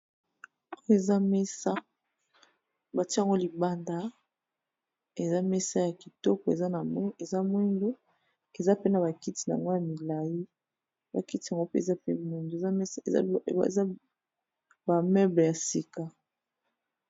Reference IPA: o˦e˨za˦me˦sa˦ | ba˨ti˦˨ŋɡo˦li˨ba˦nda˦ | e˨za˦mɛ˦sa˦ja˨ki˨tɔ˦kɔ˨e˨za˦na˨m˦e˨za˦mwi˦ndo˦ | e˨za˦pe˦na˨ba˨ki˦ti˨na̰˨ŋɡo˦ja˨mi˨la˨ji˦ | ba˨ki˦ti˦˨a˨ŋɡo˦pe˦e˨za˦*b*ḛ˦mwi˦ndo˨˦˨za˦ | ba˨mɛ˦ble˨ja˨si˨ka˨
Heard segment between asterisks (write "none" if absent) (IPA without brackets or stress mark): p